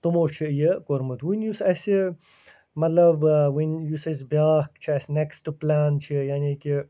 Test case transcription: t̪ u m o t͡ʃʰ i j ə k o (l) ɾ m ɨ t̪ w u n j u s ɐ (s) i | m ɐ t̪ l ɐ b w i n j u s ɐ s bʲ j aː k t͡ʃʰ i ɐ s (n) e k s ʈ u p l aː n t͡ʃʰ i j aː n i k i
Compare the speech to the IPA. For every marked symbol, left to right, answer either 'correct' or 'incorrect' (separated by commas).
incorrect, correct, correct